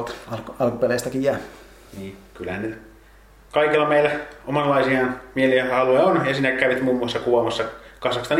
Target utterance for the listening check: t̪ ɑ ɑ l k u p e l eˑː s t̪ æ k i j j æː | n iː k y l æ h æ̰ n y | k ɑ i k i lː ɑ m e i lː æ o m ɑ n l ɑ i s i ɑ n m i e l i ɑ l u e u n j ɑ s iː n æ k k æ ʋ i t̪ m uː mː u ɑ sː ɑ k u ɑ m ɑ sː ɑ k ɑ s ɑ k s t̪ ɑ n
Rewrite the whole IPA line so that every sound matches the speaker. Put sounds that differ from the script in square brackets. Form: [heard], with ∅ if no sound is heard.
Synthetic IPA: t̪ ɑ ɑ l k u p e l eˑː s t̪ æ k i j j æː | n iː k y l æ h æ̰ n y | k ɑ i k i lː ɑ m e i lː æ o m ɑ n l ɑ i s i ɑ n m i e l i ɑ l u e [o] n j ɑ s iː n æ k k æ ʋ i t̪ m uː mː u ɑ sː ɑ k u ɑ m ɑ sː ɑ k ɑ s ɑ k s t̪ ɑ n